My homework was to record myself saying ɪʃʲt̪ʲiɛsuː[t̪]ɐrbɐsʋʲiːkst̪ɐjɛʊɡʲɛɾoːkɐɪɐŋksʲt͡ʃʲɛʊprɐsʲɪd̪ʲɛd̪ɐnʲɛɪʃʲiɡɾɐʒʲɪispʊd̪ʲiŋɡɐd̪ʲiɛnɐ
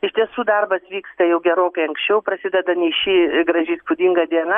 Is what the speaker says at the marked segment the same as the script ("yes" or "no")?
no